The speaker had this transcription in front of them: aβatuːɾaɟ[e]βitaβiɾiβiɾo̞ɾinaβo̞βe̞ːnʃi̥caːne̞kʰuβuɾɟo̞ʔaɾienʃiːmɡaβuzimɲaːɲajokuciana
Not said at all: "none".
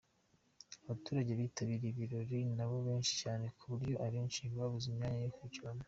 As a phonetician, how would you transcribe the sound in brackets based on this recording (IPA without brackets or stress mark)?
e